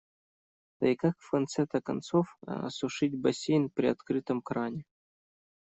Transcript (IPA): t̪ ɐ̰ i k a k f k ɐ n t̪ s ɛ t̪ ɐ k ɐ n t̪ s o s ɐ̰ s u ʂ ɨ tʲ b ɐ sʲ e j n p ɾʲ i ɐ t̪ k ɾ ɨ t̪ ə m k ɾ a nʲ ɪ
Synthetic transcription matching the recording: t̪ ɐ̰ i k a k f k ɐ n t̪ s ɛ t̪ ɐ k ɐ n t̪ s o f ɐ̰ s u ʂ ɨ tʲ b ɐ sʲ e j n p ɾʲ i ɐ t̪ k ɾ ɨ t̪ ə m k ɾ a nʲ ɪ

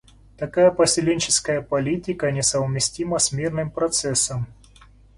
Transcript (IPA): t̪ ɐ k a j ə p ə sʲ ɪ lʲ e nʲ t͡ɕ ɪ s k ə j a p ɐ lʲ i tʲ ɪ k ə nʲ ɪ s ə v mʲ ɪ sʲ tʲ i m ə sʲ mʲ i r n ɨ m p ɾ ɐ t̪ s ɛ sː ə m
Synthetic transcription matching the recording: t̪ ɐ k a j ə p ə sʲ ɪ lʲ e nʲ t͡ɕ ɪ s k ə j ə p ɐ lʲ i tʲ ɪ k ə nʲ ɪ s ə v mʲ ɪ sʲ tʲ i m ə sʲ mʲ i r n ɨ m p ɾ ɐ t̪ s ɛ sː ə m

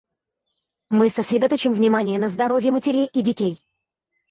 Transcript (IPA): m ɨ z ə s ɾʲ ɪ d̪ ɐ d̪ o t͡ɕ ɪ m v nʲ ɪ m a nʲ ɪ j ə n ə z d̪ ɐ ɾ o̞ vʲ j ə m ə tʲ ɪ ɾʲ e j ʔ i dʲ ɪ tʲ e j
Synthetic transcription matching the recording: m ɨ s ə s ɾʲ ɪ d̪ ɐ t̪ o t͡ɕ ɪ m v nʲ ɪ m a nʲ ɪ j ə n ə z d̪ ɐ ɾ o̞ vʲ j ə m ə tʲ ɪ ɾʲ e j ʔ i dʲ ɪ tʲ e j

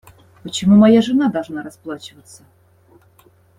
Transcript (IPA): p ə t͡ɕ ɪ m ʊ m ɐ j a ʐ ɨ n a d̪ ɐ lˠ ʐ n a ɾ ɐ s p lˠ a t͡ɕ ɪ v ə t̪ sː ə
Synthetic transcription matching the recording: p ə t͡ɕ ɪ m u m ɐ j a ʐ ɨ n a d̪ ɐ lˠ ʐ n a ɾ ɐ s p lˠ a t͡ɕ ɪ v ə t̪ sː ə

